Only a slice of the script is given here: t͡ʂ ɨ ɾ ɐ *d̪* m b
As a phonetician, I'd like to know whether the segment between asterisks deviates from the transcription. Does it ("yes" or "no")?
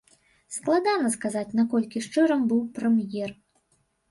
yes